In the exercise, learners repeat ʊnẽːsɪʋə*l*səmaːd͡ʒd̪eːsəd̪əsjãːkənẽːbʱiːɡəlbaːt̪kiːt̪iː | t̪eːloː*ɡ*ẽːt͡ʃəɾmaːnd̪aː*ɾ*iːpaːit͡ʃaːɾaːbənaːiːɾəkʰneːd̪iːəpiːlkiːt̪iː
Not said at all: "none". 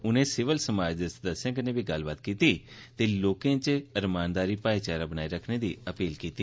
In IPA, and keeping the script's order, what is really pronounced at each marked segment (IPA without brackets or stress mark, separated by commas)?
l, k, ɾ